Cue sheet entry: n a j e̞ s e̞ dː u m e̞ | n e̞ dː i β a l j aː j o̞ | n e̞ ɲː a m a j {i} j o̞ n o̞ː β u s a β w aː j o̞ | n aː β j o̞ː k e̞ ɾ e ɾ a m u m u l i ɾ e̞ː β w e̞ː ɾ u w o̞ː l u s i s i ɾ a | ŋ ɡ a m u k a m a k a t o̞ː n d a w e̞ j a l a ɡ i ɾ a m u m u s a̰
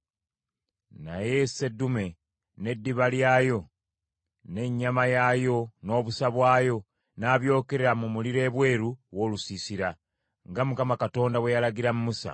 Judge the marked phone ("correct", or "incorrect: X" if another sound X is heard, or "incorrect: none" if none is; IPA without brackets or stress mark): incorrect: a